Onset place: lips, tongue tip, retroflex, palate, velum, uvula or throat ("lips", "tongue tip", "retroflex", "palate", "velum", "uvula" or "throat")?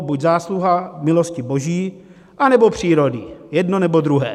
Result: lips